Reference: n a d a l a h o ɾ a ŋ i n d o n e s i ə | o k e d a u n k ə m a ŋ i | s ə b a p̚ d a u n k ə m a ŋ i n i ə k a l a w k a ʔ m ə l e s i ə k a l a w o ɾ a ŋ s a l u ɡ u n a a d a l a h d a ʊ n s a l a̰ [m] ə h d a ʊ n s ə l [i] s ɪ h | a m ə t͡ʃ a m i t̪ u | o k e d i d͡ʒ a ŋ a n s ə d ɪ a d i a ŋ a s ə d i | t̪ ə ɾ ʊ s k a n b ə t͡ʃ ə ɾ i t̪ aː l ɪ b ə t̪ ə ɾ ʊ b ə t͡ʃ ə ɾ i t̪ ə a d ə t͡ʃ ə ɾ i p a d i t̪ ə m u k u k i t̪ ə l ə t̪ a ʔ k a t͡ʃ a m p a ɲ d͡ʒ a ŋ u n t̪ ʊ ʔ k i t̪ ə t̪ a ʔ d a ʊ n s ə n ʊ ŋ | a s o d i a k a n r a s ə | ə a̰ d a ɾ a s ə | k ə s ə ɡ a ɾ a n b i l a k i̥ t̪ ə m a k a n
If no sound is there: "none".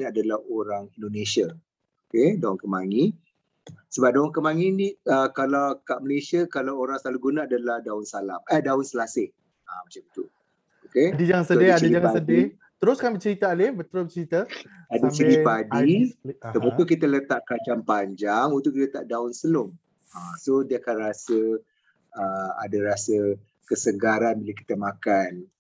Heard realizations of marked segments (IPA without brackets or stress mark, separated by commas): m, a